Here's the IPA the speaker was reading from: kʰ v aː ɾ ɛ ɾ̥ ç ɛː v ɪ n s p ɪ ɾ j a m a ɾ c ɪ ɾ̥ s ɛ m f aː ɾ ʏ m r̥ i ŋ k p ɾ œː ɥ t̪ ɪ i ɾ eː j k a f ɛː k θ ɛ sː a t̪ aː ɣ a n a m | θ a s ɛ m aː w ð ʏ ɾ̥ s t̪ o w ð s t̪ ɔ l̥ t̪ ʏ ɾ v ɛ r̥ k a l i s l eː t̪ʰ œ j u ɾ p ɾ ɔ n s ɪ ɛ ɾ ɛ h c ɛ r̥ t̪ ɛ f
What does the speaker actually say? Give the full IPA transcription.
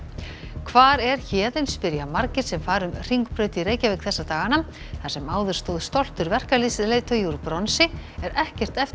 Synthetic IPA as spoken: kʰ v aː ɾ ɛ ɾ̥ ç ɛː ð ɪ n s p ɪ ɾ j a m a ɾ c ɪ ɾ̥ s ɛ m f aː ɾ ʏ m r̥ i ŋ k p ɾ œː ɥ t̪ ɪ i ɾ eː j c a v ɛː k θ ɛ sː a t̪ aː ɣ a n a m | θ a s ɛ m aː w ð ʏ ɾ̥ s t̪ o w ð s t̪ ɔ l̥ t̪ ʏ ɾ v ɛ r̥ k a l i s l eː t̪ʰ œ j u ɾ p ɾ ɔ n s ɪ ɛ ɾ ɛ h c ɛ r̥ t̪ ɛ f